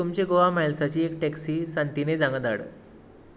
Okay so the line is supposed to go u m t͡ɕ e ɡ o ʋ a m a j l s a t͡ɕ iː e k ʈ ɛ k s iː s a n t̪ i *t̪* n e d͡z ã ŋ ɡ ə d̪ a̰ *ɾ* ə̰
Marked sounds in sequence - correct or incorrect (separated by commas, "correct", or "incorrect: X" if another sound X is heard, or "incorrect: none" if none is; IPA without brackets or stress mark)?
incorrect: none, incorrect: ɽ